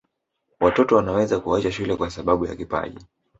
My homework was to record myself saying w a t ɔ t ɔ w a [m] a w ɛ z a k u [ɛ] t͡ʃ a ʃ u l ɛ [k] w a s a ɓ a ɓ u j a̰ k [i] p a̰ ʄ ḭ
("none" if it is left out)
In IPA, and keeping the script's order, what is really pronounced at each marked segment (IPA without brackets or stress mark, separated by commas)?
n, a, k, i